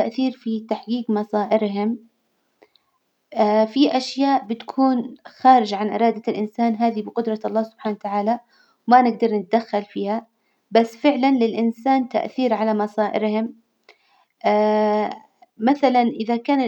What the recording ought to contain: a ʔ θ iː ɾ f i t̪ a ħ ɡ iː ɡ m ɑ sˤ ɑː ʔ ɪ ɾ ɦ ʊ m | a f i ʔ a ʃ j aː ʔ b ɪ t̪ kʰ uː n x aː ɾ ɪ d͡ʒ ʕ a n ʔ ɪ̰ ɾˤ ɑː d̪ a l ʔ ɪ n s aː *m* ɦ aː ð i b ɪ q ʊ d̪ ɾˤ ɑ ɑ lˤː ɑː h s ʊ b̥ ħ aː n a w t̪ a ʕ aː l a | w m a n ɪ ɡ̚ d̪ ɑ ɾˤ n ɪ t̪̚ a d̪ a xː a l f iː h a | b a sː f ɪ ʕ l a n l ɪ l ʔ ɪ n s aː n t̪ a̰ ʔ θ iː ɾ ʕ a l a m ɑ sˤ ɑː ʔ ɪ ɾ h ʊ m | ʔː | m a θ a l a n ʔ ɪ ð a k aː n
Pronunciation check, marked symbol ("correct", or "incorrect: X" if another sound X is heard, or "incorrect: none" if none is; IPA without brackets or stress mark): incorrect: n